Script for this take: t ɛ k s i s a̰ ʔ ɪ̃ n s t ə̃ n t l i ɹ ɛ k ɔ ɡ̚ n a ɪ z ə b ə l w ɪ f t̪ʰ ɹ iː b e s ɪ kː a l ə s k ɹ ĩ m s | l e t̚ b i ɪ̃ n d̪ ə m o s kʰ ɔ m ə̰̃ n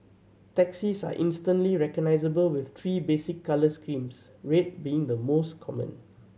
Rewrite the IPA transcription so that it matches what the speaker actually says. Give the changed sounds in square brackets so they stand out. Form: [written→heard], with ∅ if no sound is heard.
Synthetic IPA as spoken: t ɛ k s i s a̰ ʔ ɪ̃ n s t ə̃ n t l i ɹ ɛ k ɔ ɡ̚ n a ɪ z ə b ə l w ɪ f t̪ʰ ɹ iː b e s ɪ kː a l ə s k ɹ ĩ m s | [l→ɹ] e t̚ b i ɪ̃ [n→ŋ] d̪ ə m o s kʰ ɔ m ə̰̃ n